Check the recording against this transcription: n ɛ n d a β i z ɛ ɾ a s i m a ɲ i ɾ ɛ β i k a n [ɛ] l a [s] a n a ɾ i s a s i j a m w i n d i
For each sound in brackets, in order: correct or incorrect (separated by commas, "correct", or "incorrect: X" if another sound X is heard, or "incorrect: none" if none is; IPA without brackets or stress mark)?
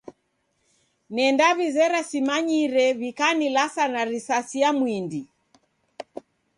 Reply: incorrect: i, correct